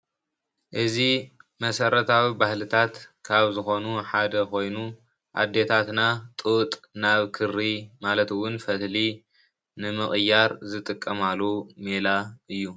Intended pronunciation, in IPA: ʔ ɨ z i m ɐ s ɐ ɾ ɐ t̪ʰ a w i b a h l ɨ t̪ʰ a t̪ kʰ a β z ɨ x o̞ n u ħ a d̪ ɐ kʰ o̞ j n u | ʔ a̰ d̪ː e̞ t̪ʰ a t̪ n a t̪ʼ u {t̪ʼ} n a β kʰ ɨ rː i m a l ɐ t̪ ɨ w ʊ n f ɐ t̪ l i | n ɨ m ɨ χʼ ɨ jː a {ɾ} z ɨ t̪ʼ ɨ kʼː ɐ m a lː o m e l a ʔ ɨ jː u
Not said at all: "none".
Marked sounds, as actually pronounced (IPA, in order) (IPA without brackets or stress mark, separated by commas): t̪ʼ, ɾ